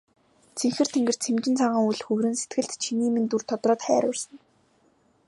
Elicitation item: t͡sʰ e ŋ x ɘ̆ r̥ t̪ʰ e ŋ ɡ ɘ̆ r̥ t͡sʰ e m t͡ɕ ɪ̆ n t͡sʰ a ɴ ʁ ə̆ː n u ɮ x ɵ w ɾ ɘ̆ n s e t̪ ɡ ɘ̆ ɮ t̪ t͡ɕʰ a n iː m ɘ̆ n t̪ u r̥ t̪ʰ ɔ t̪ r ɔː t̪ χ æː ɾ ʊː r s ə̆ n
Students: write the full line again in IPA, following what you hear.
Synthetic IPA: t͡sʰ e ŋ x ɘ̆ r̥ t̪ʰ e ŋ ɡ ɘ̆ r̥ t͡sʰ e m t͡ɕ ɪ̆ n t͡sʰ a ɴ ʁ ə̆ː ŋ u ɮ x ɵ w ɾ ɘ̆ n s e t̪ ɡ ɘ̆ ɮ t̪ t͡ɕʰ i n iː m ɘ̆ n t̪ u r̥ t̪ʰ ɔ t̪ r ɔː t̪ χ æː ɾ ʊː r s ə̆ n